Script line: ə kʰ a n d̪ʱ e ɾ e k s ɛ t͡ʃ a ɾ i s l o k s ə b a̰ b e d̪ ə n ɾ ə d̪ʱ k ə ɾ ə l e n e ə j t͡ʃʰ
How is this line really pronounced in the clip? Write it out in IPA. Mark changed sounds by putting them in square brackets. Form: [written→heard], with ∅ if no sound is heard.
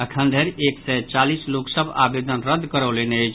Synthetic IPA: ə kʰ [a→ə] n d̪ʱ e ɾ e k s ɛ t͡ʃ a [ɾ→l] i s l o k s ə b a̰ b e d̪ ə n ɾ ə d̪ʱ k ə ɾ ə l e n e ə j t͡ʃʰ